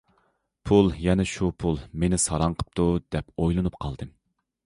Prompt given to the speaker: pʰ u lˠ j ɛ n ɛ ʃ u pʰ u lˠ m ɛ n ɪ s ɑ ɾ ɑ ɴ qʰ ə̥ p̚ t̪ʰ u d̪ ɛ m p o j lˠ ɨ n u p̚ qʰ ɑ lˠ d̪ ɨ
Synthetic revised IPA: pʰ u lˠ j ɛ n ɛ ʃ u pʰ u lˠ m e n ɪ s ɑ ɾ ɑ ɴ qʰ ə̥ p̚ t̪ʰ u d̪ ɛ p o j lˠ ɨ n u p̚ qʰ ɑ lˠ d̪ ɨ

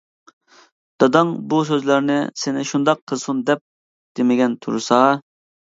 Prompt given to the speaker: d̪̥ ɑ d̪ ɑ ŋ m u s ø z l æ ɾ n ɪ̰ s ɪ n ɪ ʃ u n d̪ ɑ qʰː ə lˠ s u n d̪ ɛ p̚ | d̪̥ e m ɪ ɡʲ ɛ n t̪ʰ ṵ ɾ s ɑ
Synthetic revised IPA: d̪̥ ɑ d̪ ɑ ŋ b u s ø z l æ ɾ n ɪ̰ s ɪ n ɪ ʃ u n d̪ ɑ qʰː ə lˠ s u n d̪ ɛ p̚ | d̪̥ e m ɪ ɡʲ ɛ n t̪ʰ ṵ ɾ s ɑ

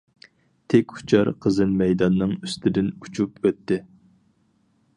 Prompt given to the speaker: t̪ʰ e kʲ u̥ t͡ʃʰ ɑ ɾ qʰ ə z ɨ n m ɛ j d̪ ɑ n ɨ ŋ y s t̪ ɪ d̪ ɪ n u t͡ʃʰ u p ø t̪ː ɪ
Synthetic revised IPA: t̪ʰ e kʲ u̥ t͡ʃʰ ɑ ɾ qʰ ə z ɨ n m ɛ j d̪ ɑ nː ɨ ŋ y s t̪ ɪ d̪ ɪ n u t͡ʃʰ u p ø t̪ː ɪ

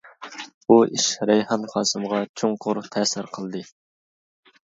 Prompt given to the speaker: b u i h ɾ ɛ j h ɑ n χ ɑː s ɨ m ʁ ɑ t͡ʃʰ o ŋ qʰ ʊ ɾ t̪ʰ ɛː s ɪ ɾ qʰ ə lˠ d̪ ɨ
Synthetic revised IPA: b u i ʃ ɾ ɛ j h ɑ n χ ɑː s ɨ m ʁ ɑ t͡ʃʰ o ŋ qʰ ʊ ɾ t̪ʰ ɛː s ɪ ɾ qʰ ə lˠ d̪ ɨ

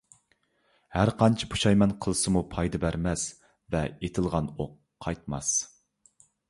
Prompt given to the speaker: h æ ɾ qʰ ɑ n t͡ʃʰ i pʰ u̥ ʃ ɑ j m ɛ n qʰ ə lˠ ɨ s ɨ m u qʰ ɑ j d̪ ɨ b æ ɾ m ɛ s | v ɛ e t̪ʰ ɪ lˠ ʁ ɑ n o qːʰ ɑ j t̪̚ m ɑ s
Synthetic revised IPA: h æ ɾ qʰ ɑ n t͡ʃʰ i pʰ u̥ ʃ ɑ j m ɛ n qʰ ə lˠ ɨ s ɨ m u pʰ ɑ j d̪ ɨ b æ ɾ m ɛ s | v ɛ e t̪ʰ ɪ lˠ ʁ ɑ n o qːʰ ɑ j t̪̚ m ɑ s

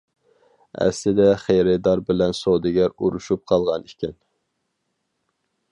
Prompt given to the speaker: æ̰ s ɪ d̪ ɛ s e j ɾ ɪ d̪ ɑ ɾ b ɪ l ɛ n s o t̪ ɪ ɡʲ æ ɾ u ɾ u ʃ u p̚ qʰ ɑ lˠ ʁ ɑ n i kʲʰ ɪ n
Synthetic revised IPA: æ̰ s ɪ d̪ ɛ χ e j ɾ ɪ d̪ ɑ ɾ b ɪ l ɛ n s o d̪ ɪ ɡʲ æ ɾ u ɾ u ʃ u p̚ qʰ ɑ lˠ ʁ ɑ n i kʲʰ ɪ n

